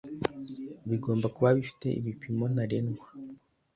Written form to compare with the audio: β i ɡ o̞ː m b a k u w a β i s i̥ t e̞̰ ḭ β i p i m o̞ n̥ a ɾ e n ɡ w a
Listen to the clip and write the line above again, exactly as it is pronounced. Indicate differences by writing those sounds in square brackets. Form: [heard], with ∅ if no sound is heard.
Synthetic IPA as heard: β i ɡ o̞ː m b a k u [β] a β i [f] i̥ t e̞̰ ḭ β i p i m o̞ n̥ a ɾ e n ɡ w a